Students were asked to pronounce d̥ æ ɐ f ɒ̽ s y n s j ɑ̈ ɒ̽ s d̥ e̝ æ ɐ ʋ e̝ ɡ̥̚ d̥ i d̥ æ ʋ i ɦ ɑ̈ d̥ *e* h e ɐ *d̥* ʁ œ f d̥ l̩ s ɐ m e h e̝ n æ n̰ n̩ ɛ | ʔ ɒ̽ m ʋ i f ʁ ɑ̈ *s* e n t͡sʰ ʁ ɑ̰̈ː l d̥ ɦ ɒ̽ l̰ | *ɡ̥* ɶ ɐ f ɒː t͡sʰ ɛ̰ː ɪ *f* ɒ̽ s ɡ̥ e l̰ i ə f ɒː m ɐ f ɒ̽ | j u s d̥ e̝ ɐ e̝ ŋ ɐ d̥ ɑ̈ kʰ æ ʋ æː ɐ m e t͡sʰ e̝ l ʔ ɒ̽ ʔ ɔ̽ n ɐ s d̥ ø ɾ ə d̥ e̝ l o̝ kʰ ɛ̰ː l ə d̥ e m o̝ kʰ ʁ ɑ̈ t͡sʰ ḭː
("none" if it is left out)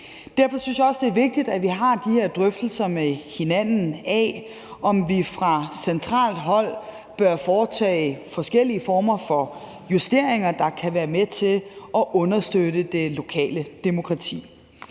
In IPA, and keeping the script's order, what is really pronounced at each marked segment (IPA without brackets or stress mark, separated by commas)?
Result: i, d̥, s, b̥, f